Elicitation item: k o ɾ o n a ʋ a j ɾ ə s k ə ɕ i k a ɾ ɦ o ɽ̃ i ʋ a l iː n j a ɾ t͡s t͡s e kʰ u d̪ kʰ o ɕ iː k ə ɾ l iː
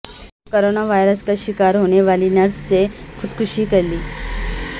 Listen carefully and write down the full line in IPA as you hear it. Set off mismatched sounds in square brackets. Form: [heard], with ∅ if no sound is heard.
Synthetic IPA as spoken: k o ɾ o n a ʋ a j ɾ ə s k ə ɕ i k a ɾ ɦ o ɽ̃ [e] ʋ a l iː n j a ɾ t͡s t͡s e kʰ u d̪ kʰ [u] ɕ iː k ə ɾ l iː